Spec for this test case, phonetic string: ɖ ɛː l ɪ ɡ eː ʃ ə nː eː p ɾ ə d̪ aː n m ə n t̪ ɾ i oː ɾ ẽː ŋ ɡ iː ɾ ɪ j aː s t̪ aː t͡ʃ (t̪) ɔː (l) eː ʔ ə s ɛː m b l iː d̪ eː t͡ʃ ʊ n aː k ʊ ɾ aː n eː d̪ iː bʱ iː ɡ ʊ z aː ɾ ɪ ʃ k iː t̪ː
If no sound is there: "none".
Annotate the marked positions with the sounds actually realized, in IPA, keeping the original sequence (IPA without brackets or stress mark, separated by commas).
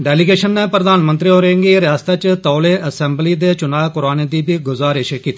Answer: t̪, l